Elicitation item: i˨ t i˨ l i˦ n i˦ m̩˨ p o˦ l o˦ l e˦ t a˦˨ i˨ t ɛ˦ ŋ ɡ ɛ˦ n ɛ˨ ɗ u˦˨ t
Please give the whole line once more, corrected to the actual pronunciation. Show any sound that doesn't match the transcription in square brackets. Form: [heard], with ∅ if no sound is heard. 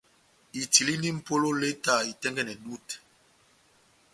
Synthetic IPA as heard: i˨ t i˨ l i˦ n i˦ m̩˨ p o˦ l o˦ l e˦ t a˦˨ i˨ t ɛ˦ ŋ ɡ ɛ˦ n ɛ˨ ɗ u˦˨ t